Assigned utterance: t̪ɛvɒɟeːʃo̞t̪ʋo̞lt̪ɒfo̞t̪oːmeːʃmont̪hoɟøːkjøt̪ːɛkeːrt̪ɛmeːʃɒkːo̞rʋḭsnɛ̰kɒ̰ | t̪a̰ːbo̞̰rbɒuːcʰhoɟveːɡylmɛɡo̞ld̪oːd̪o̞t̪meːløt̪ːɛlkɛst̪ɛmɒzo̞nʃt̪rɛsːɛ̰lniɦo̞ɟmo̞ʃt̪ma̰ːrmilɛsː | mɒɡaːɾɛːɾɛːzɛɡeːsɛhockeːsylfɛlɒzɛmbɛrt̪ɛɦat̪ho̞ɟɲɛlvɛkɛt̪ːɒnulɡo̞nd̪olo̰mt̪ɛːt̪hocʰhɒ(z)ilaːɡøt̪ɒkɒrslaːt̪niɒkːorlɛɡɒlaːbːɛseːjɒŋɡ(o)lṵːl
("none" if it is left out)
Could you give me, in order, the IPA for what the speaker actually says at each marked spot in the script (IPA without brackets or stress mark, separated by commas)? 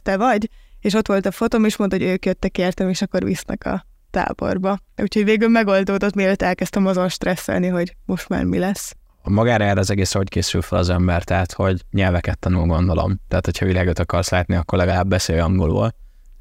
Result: v, o